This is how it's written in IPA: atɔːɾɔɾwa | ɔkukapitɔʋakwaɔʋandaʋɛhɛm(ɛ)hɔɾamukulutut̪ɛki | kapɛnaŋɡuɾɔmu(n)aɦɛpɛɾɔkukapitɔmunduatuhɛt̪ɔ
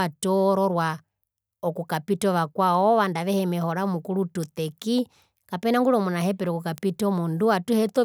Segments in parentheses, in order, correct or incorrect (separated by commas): correct, correct